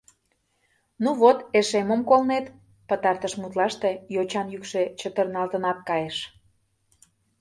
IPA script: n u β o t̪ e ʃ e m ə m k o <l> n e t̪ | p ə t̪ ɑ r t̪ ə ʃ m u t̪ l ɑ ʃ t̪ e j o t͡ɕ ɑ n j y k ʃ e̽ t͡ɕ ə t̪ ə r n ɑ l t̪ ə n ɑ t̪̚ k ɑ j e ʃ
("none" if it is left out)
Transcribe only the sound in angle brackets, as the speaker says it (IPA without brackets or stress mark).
l